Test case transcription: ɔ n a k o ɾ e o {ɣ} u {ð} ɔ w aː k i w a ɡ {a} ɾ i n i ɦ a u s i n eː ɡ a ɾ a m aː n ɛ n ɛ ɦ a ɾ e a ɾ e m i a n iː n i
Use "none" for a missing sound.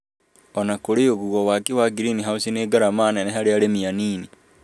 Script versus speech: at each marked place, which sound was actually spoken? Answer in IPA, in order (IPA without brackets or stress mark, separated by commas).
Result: ɣ, ɣ, i